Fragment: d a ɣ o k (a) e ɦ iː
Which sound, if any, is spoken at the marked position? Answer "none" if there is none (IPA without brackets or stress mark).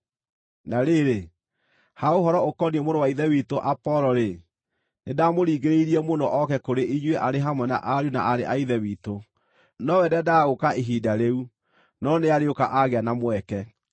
a